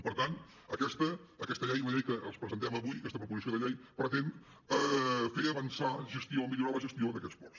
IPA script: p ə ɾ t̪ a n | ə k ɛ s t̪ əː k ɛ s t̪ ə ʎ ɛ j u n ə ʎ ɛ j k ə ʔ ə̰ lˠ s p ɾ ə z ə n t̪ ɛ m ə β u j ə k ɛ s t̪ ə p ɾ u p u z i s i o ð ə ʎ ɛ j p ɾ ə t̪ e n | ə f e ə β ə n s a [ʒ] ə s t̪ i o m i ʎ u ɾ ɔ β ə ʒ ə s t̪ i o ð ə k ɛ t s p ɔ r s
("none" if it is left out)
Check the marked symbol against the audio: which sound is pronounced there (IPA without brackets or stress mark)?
ʒ